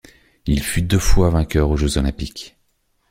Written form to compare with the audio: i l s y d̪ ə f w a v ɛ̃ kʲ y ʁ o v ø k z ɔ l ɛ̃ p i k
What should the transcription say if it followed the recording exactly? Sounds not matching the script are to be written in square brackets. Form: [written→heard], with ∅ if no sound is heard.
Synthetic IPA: i l [s→f] y d̪ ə f w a v ɛ̃ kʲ [y→œ] ʁ o [v→ʒ] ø [k→∅] z ɔ l ɛ̃ p i k